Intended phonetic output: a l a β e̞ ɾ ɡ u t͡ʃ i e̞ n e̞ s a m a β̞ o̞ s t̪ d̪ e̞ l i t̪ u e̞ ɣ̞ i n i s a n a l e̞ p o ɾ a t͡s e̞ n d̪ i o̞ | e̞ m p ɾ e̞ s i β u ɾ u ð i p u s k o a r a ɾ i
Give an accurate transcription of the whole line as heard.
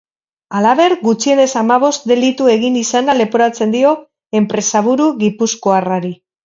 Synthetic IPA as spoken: a l a β e̞ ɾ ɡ u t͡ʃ i e̞ n e̞ s a m a β̞ o̞ s t̪ d̪ e̞ l i t̪ u e̞ ɣ̞ i n i s a n a l e̞ p o ɾ a t͡s e̞ n d̪ i o̞ | e̞ m p ɾ e̞ s a β u ɾ u ɣ i p u s k o a r a ɾ i